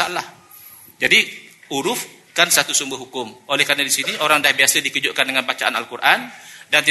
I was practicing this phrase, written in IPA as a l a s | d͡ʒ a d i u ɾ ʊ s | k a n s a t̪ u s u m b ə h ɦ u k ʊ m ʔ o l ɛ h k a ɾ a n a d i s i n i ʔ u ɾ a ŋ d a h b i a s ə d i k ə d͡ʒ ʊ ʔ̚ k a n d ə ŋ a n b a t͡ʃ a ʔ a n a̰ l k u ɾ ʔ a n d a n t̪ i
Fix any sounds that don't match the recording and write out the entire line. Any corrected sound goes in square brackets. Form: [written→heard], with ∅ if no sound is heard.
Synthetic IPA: a l a [s→h] | d͡ʒ a d i u ɾ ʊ [s→f] | k a n s a t̪ u s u m b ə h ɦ u k ʊ m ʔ o l ɛ h k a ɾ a n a d i s i n i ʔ [u→o] ɾ a ŋ d a h b i a s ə d i k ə d͡ʒ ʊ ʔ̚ k a n d ə ŋ a n b a t͡ʃ a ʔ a n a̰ l k u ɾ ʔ a n d a n t̪ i